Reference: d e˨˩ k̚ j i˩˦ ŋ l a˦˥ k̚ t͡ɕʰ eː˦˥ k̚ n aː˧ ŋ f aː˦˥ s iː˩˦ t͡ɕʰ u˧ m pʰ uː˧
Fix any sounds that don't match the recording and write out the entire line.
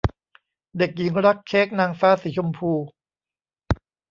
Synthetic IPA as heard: d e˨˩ k̚ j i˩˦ ŋ ɾ a˦˥ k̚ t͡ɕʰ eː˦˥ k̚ n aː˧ ŋ f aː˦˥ s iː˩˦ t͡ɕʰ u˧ m pʰ uː˧